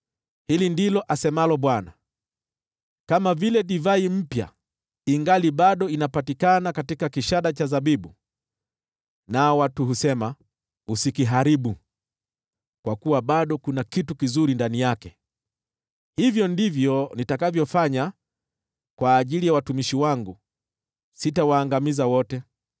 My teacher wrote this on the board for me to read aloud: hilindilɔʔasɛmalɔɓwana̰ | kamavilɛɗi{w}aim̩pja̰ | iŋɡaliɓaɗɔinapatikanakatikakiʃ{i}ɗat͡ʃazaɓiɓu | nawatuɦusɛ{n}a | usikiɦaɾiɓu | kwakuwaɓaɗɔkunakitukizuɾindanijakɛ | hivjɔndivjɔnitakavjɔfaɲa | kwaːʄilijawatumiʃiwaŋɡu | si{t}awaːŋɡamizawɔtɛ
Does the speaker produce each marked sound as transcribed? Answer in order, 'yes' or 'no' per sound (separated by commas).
no, no, no, yes